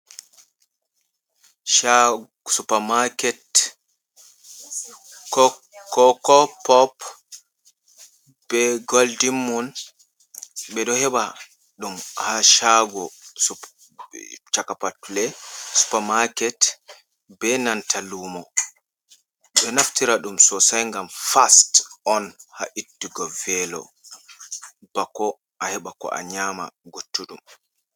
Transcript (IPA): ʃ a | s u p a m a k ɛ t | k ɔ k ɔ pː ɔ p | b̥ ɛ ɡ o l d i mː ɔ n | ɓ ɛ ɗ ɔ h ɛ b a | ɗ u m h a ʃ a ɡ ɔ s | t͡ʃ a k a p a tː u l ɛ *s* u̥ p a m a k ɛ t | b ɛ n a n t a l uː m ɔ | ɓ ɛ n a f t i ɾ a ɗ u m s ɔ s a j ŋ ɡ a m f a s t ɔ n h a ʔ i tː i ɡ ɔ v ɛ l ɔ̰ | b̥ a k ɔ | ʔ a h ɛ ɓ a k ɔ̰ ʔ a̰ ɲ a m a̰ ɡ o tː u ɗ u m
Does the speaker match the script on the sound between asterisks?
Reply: yes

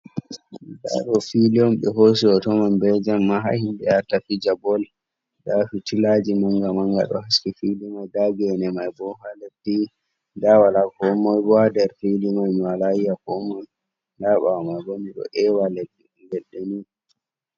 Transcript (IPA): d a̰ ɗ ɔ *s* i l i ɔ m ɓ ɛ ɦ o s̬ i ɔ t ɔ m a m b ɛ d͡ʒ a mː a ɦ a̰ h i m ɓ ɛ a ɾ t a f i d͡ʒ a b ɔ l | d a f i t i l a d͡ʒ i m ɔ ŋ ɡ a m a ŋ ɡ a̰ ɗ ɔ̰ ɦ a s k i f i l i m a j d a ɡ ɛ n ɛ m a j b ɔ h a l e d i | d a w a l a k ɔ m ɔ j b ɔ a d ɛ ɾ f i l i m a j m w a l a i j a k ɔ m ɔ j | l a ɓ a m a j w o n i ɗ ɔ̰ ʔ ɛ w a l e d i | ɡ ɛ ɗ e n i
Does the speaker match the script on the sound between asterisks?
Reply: no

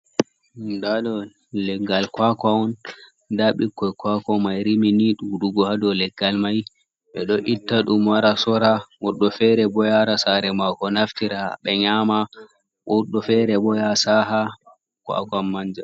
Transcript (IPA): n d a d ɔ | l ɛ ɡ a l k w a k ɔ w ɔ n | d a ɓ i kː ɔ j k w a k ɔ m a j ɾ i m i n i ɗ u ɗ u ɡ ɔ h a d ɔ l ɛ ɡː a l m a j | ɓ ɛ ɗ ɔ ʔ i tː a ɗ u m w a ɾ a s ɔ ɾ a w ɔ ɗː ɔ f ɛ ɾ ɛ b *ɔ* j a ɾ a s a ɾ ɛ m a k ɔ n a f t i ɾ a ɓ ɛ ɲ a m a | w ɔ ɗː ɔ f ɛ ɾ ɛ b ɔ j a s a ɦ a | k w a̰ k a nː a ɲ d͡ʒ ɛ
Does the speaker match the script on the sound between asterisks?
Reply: yes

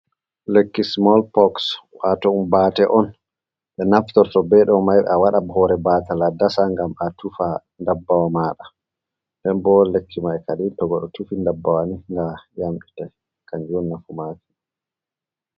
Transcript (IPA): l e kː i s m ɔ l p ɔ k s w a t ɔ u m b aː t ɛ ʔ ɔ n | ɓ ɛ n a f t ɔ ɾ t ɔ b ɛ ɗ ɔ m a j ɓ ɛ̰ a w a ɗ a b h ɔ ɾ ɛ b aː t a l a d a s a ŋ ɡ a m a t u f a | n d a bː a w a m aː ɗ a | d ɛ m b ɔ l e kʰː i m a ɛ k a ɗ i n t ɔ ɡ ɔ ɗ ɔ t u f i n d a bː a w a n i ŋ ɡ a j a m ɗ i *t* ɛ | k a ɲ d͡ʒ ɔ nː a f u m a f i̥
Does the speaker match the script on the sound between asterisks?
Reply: yes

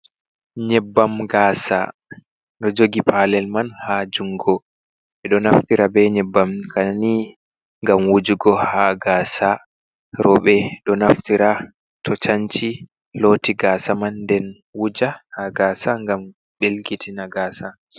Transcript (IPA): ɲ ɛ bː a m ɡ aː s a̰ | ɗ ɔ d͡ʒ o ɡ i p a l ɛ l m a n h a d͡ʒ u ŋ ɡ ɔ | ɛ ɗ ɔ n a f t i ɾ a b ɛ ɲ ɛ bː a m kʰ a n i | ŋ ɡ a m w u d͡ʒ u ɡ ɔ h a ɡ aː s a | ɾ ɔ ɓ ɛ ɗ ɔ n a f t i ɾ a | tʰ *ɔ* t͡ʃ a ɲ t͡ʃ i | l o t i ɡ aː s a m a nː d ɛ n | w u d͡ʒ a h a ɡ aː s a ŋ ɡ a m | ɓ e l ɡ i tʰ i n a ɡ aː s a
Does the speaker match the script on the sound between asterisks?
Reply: yes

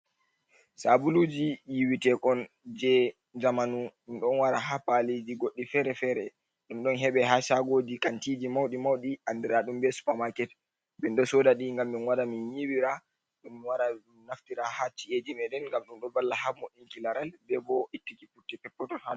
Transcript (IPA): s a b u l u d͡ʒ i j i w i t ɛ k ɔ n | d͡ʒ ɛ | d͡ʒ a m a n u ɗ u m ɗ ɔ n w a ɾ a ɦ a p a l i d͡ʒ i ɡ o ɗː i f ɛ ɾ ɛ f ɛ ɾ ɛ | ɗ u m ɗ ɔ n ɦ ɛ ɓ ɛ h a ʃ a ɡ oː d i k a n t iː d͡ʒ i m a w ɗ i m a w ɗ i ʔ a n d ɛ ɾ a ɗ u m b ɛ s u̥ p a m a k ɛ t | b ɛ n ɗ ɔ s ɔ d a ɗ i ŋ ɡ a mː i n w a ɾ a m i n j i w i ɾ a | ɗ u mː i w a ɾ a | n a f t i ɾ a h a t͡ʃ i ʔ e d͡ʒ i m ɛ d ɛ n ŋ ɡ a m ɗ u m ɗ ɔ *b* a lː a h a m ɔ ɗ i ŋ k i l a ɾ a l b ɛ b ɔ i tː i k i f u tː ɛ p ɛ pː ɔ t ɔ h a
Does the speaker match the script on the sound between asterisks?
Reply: yes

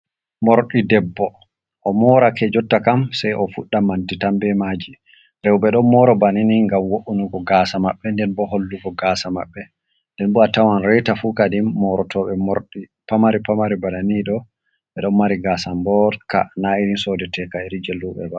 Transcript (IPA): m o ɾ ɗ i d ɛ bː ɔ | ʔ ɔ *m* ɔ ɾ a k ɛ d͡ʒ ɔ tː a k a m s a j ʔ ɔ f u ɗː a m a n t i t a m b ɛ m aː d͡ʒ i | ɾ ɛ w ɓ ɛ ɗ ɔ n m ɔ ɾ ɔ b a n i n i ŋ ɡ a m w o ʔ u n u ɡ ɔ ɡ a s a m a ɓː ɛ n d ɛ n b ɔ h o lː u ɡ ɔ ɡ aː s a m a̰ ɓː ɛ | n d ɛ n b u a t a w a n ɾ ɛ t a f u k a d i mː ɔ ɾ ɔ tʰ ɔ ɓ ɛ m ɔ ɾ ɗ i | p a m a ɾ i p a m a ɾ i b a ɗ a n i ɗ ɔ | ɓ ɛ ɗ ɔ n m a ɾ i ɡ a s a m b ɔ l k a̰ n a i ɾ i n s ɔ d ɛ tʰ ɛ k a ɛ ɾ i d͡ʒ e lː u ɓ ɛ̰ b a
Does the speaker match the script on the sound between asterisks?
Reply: yes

